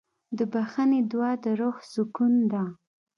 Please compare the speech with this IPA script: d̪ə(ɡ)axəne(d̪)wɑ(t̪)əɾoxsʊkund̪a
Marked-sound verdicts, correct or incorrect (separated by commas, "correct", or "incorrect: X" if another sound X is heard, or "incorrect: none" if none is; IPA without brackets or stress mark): incorrect: b, correct, incorrect: d̪